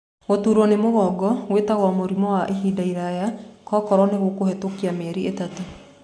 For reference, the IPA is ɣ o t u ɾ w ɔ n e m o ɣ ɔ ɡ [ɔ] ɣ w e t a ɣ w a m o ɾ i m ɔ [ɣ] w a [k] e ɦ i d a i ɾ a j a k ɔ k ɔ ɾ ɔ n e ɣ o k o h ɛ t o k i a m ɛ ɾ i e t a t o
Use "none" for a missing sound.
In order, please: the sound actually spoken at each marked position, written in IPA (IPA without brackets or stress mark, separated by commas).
ɔ, none, ʔ